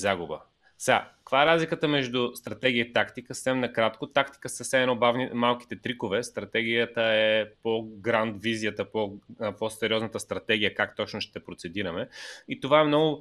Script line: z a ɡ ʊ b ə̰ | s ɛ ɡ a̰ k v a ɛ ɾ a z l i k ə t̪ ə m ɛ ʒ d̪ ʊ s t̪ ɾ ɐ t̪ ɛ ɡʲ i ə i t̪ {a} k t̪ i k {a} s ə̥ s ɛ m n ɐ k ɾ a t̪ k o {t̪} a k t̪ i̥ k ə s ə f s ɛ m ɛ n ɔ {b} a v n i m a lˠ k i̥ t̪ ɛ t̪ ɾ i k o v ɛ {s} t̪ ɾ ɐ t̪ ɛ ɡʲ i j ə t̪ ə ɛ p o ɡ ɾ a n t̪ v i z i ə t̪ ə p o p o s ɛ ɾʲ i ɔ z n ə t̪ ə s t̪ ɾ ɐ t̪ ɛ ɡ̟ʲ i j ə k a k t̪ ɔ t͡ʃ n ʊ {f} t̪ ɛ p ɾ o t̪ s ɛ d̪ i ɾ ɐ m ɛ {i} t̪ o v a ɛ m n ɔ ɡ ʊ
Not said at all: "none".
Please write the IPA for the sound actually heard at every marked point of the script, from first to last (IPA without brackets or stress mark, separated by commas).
a, ə, t̪, b, s, ʃ, i